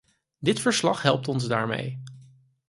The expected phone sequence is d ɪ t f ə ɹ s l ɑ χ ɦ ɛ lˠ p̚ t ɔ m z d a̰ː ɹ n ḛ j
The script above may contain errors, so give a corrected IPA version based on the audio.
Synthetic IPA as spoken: d ɪ t f ə ɹ s l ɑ χ ɦ ɛ lˠ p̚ t ɔ n z d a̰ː ɹ m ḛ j